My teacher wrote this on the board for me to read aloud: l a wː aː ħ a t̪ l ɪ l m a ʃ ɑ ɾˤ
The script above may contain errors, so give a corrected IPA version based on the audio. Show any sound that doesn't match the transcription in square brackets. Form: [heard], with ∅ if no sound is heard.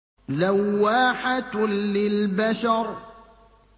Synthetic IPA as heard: l a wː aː ħ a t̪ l ɪ l [b] a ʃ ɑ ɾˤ